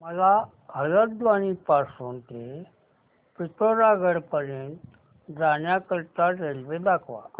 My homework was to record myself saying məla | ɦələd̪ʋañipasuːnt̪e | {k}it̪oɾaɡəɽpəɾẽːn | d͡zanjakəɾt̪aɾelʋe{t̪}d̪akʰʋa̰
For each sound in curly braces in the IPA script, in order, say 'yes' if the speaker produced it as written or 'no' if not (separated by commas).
no, no